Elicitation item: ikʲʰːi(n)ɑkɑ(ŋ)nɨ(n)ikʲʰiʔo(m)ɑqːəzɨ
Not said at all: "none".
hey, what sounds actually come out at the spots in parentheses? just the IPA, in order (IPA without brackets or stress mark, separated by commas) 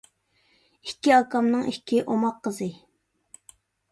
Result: none, m, ŋ, m